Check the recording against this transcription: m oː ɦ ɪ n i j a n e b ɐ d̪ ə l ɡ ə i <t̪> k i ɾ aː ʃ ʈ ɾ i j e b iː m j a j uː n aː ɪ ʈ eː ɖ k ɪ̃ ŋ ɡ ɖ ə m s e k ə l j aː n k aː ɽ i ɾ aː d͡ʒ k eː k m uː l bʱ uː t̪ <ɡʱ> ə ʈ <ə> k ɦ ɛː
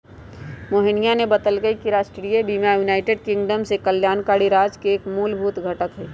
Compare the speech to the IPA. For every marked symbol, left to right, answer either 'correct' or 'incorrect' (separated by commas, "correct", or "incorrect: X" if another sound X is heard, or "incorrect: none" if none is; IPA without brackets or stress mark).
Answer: incorrect: none, correct, correct